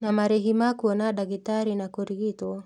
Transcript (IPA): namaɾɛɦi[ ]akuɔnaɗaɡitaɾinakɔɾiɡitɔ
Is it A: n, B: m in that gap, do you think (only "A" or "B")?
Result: B